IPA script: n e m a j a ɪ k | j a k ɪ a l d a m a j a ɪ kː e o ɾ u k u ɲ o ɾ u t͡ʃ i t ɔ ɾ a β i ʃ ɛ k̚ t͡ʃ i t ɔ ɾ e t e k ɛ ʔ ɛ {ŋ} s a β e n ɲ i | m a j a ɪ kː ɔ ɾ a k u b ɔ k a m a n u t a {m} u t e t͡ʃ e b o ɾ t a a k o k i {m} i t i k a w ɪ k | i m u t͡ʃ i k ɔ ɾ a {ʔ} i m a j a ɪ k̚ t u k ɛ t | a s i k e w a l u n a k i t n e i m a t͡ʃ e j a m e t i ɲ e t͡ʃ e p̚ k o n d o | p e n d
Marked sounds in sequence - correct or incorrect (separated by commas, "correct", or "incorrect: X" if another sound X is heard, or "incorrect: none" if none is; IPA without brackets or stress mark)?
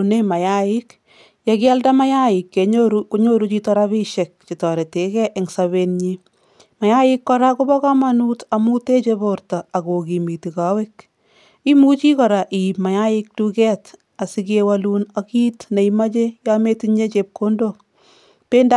correct, correct, correct, correct